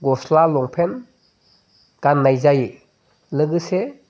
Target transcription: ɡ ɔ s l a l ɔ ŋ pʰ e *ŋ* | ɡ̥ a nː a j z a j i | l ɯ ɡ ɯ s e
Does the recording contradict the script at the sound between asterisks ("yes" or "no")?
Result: yes